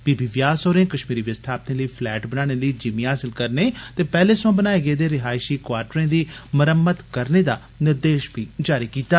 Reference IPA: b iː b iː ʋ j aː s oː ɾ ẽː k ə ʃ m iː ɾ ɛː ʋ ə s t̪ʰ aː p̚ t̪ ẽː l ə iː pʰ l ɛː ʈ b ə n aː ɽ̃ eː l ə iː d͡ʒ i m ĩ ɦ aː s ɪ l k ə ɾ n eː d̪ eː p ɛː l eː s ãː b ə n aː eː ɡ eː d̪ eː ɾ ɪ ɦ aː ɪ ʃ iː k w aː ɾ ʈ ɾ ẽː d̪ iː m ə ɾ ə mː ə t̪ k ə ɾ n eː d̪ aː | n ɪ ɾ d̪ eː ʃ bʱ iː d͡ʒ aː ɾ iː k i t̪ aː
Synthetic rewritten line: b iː b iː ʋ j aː s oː ɾ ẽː k ə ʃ m iː ɾ iː ʋ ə s t̪ʰ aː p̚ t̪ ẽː l ə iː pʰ l ɛː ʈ b ə n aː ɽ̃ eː l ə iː d͡ʒ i m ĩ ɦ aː s ɪ l k ə ɾ n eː t̪ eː p ɛː l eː s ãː b ə n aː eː ɡ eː d̪ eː ɾ ɪ ɦ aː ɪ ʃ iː k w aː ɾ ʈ ɾ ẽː d̪ iː m ə ɾ ə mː ə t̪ k ə ɾ n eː d̪ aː | n ɪ ɾ d̪ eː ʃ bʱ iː d͡ʒ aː ɾ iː k iː t̪ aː